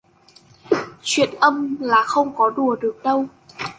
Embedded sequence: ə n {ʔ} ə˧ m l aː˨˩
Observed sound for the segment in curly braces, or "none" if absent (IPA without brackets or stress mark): ʔ